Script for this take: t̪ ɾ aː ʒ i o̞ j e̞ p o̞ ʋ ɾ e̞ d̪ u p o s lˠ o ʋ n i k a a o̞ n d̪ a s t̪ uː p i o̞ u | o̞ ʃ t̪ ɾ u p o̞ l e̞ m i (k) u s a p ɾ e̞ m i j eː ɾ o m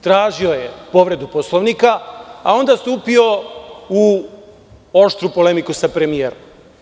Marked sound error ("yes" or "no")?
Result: no